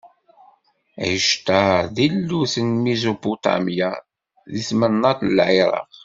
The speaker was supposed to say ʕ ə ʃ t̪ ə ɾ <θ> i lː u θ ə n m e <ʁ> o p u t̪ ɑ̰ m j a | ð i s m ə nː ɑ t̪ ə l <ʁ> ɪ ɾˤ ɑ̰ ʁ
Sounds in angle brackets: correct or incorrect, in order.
incorrect, incorrect, incorrect

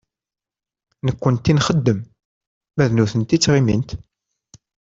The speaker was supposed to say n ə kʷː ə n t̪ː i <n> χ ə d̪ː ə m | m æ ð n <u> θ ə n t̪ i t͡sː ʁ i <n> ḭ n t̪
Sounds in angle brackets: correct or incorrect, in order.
correct, correct, incorrect

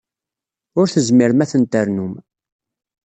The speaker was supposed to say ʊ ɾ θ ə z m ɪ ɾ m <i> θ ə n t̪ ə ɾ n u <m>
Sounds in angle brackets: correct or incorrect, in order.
incorrect, correct

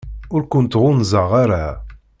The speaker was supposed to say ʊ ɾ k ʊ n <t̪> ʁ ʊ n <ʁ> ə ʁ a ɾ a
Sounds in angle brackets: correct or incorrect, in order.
correct, incorrect

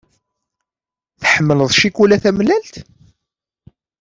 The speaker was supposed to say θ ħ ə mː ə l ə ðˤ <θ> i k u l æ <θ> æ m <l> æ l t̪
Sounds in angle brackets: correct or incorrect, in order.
incorrect, correct, correct

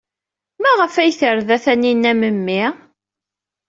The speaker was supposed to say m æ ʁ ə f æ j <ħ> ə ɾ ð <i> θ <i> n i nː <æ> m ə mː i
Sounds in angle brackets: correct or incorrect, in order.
incorrect, incorrect, incorrect, correct

